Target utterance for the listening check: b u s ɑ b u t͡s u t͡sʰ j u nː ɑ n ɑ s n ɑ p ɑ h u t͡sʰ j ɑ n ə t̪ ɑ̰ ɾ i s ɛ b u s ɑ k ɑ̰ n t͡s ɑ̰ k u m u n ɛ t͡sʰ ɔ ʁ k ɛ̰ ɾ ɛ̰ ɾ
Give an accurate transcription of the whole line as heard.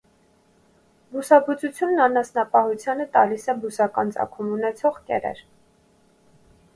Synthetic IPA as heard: b u s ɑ b u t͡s u t͡sʰ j u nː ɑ n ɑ s n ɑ p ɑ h u t͡sʰ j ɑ n ə t̪ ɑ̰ l i s ɛ b u s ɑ k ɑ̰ n t͡s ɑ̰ kʰ u m u n ɛ t͡sʰ ɔ ʁ k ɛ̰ ɾ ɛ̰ ɾ